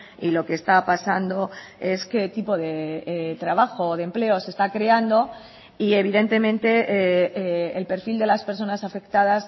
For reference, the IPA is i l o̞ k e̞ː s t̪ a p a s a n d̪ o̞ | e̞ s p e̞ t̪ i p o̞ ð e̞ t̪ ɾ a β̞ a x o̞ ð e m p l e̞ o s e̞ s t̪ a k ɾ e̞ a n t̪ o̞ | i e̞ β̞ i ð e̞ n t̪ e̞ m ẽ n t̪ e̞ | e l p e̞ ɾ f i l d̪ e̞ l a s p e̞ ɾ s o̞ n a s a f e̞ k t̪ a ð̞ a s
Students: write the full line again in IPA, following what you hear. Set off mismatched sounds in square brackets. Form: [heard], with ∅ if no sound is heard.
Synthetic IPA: i l o̞ k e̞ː s t̪ a p a s a n d̪ o̞ | e̞ s [k] e̞ t̪ i p o̞ ð e̞ t̪ ɾ a β̞ a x o̞ ð e m p l e̞ o s e̞ s t̪ a k ɾ e̞ a n [d̪] o̞ | i e̞ β̞ i ð e̞ n t̪ e̞ m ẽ n t̪ e̞ | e l p e̞ ɾ f i l d̪ e̞ l a s p e̞ ɾ s o̞ n a s a f e̞ k t̪ a ð̞ a s